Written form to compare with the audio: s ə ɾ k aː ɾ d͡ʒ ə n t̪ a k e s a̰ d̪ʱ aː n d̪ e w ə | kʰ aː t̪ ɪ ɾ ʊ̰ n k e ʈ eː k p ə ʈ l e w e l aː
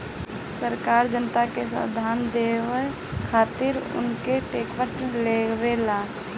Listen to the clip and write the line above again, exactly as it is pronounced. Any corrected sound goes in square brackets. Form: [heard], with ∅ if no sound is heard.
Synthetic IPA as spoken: s ə ɾ k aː ɾ d͡ʒ ə n t̪ a k e s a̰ d̪ʱ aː n d̪ e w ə | kʰ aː t̪ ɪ ɾ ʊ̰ n k e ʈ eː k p ə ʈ l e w e l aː

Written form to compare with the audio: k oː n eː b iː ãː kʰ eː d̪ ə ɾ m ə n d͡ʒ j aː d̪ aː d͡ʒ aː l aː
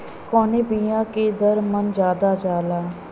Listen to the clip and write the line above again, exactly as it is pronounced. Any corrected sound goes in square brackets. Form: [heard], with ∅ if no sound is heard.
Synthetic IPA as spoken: k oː n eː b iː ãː [k] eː d̪ ə ɾ m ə n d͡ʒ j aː d̪ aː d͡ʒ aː l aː

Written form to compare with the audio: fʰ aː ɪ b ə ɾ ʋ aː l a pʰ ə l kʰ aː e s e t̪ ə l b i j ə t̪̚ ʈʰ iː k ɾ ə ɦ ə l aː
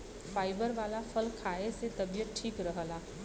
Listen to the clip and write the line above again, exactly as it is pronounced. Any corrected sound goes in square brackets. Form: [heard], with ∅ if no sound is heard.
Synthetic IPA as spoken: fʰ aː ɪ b ə ɾ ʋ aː l a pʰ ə l kʰ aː e s e t̪ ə [∅] b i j ə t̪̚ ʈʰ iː k ɾ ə ɦ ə l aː

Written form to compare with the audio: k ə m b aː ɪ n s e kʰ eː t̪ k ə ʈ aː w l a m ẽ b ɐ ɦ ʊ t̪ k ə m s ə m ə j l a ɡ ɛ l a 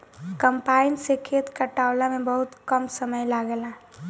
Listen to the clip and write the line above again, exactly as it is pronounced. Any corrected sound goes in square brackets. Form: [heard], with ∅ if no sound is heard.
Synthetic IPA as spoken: k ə m [p] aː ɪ n s e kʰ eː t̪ k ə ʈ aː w l a m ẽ b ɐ ɦ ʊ t̪ k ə m s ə m ə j l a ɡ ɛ l a

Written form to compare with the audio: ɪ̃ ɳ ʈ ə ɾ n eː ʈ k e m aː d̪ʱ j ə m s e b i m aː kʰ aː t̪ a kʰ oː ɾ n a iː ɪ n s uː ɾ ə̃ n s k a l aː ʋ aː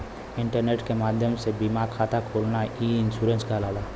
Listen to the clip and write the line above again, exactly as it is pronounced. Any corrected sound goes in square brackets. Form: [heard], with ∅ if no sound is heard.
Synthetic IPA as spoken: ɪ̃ ɳ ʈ ə ɾ n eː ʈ k e m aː d̪ʱ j ə m s e b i m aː kʰ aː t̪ a kʰ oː [l] n a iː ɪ n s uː ɾ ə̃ n s k a l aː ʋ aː

